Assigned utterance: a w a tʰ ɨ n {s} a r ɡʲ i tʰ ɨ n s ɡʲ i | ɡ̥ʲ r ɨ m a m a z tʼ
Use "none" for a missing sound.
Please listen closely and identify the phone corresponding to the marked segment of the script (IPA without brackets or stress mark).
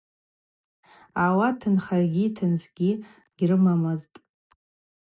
χ